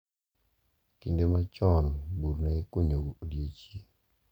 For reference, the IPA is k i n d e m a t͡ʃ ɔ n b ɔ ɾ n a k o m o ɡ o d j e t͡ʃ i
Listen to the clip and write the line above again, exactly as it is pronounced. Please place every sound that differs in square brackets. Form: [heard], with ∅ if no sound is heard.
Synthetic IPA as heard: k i n d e m a t͡ʃ ɔ n b [u] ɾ n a k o [ɲ] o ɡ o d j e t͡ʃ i